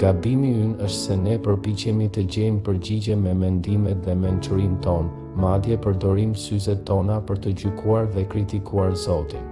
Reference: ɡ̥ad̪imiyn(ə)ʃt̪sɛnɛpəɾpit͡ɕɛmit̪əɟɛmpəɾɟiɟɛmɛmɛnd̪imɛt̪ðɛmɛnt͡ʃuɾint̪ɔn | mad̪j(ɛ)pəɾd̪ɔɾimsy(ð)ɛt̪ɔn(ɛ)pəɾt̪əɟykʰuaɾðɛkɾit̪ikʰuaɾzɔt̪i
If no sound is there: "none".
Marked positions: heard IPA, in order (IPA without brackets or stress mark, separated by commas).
ə, ɛ, z, a